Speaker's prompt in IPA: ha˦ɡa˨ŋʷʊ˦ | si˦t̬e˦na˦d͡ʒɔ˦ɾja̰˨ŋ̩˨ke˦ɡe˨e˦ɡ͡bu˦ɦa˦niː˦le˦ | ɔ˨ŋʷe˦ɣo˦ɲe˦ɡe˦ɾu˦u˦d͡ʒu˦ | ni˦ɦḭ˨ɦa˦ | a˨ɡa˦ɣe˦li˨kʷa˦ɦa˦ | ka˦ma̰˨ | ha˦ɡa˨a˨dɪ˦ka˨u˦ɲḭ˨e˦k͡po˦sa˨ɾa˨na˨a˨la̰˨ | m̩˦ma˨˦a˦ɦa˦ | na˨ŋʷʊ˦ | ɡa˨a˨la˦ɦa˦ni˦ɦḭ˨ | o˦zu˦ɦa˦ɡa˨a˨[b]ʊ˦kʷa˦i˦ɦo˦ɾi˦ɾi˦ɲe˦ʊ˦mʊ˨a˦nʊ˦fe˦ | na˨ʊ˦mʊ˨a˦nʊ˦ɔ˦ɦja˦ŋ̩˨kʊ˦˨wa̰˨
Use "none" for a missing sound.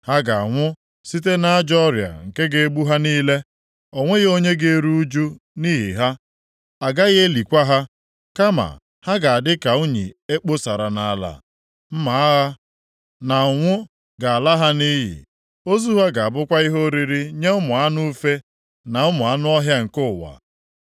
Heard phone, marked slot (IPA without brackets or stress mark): b